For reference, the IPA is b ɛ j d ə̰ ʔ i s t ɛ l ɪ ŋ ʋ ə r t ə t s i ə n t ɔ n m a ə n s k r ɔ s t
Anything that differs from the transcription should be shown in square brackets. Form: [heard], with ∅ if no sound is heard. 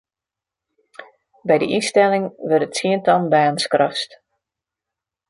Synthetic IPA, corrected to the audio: b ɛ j d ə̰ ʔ i s t ɛ l ɪ ŋ ʋ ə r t ə t s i ə n t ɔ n [b] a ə n s k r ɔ s t